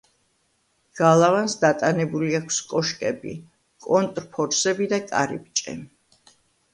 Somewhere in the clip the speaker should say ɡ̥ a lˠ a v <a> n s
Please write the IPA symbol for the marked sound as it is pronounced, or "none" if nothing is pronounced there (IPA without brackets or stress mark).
a